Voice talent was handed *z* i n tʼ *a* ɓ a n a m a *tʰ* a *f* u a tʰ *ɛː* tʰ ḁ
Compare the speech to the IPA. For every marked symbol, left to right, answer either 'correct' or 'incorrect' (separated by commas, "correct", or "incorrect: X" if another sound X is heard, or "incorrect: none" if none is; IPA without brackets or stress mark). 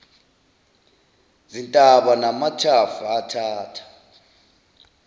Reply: correct, correct, correct, correct, incorrect: aː